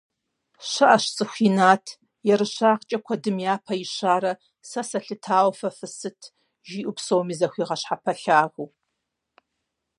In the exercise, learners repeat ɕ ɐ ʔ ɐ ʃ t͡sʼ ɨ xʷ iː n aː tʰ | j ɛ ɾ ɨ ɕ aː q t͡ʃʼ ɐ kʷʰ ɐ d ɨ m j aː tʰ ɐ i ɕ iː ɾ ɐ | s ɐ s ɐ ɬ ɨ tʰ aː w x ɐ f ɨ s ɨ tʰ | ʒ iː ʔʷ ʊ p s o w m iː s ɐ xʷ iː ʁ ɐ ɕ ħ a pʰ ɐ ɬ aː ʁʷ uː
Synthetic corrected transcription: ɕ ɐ ʔ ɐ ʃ t͡sʼ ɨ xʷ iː n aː tʰ | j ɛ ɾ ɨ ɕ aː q t͡ʃʼ ɐ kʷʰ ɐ d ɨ m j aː pʰ ɐ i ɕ aː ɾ ɐ | s ɐ s ɐ ɬ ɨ tʰ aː w f ɐ f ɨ s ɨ tʰ | ʒ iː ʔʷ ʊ p s o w m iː z ɐ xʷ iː ʁ ɐ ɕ ħ a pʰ ɐ ɬ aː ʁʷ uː